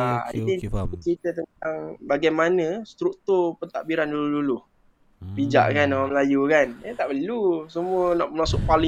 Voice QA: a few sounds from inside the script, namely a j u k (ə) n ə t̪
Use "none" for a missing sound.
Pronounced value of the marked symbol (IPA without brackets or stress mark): a